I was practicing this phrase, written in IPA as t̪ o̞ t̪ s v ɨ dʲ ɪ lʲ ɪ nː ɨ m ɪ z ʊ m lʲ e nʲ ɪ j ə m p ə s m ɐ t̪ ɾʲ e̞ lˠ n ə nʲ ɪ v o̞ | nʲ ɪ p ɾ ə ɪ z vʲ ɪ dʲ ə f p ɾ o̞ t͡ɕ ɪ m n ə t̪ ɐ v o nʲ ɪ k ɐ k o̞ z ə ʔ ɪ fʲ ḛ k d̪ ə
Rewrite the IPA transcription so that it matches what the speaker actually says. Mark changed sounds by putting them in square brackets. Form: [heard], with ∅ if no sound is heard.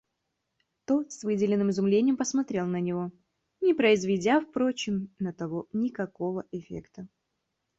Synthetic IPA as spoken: t̪ o̞ t̪ s v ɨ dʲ ɪ lʲ ɪ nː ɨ m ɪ z ʊ m lʲ e nʲ ɪ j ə m p ə s m ɐ t̪ ɾʲ e̞ lˠ n ə nʲ ɪ v o̞ | nʲ ɪ p ɾ ə ɪ z vʲ ɪ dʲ [a] f p ɾ o̞ t͡ɕ ɪ m n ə t̪ ɐ v o nʲ ɪ k ɐ k o̞ [v] ə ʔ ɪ fʲ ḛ k [t̪] ə